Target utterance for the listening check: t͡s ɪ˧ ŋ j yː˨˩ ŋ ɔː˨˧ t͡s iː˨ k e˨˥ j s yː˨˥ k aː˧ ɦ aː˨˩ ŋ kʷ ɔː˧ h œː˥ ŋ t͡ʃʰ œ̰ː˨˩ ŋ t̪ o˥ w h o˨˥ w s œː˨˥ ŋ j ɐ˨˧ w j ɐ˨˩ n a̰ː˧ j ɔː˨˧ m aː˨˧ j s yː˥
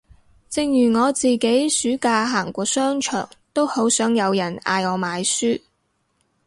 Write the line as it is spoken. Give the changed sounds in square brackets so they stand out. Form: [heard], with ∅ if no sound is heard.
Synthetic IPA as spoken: t͡s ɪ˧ ŋ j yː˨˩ ŋ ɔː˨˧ t͡s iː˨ k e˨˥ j s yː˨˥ k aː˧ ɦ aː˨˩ ŋ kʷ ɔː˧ [s] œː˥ ŋ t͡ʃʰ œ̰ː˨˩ ŋ t̪ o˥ w h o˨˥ w s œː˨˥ ŋ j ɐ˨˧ w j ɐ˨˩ n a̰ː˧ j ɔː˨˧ m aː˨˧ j s yː˥